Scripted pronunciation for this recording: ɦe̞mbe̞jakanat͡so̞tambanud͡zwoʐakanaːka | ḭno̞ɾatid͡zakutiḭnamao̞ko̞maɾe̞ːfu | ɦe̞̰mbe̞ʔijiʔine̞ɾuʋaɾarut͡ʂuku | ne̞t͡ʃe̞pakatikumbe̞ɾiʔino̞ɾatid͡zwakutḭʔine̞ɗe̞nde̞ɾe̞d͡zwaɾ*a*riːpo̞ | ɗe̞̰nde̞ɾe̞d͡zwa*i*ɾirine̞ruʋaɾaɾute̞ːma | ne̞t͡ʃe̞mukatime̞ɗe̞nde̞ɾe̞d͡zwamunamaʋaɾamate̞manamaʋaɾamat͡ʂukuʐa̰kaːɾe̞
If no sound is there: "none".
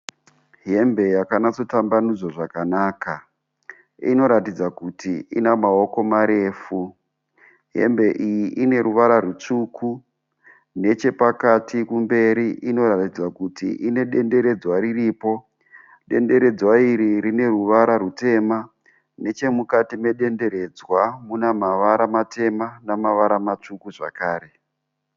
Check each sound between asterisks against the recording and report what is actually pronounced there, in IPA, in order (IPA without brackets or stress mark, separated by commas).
i, i